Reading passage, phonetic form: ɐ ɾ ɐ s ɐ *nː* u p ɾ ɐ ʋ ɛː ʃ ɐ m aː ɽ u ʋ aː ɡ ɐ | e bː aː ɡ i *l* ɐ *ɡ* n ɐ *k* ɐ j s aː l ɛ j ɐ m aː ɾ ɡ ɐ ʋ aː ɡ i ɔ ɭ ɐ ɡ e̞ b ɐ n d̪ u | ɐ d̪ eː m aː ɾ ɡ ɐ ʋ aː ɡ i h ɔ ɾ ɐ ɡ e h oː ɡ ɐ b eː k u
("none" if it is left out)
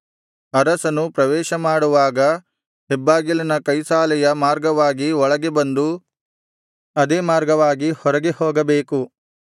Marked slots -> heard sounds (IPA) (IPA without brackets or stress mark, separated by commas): n, l, none, k